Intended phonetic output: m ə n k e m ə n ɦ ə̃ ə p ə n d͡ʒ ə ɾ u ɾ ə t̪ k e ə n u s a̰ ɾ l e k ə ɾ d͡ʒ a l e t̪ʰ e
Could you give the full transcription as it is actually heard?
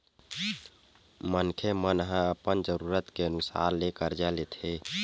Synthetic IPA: m ə n kʰ e m ə n ɦ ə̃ ə p ə n d͡ʒ ə ɾ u ɾ ə t̪ k e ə n u s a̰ ɾ l e k ə ɾ d͡ʒ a l e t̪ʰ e

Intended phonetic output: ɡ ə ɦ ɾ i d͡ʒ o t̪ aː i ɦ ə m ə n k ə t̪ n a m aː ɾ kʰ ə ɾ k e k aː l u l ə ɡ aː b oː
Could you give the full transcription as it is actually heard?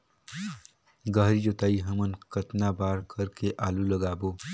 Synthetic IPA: ɡ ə ɦ ɾ i d͡ʒ o t̪ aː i ɦ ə m ə n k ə t̪ n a b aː ɾ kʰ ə ɾ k e ʔ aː l u l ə ɡ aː b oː

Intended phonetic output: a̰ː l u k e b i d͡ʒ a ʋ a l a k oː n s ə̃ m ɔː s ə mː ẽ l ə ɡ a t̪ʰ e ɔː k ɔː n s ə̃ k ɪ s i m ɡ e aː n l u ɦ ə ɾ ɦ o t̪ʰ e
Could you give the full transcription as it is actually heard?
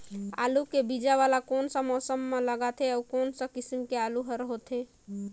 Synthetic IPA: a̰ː l u k e b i d͡ʒ a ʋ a l a k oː n s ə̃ m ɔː s ə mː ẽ l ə ɡ a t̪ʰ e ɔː k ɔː n s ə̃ k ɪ s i m k e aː l u ɦ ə ɾ ɦ o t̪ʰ e

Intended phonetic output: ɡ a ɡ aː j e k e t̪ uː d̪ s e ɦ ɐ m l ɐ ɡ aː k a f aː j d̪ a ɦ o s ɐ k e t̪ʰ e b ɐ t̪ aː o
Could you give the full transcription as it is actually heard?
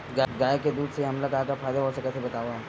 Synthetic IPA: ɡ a ɡ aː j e k e d̪ uː d̪ s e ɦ ɐ m l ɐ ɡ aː k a f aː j d̪ a ɦ o s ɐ k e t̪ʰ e b ɐ t̪ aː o

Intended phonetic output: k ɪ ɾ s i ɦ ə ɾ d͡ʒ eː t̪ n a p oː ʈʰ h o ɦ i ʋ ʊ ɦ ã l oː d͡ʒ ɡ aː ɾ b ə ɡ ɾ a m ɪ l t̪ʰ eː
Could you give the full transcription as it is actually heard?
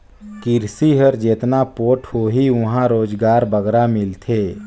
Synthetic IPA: k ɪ ɾ s i ɦ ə ɾ d͡ʒ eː t̪ n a p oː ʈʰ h o ɦ i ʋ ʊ ɦ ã ɾ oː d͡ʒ ɡ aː ɾ b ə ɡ ɾ a m ɪ l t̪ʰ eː

